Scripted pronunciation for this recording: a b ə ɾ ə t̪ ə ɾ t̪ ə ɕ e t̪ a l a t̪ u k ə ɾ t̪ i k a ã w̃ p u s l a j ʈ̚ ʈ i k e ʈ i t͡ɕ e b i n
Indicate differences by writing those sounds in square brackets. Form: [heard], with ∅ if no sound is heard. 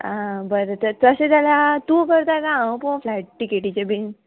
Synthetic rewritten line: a b ə ɾ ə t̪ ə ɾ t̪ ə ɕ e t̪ a l a t̪ u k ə ɾ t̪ [a] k a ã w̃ p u [f] l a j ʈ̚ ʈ i k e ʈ i t͡ɕ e b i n